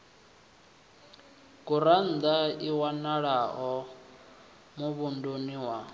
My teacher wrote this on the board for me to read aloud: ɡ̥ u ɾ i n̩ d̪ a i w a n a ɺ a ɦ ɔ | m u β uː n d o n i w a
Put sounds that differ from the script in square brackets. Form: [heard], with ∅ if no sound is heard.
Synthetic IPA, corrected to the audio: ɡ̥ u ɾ [a] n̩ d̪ a i w a n a ɺ a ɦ ɔ | m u β [u] n d o n i w a